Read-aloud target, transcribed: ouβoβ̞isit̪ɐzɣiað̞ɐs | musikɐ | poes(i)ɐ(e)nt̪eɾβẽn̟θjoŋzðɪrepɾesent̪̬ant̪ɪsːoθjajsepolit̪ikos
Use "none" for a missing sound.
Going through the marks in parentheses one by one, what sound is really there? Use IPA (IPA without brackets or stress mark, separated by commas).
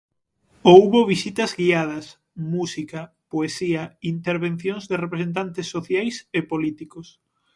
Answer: i, i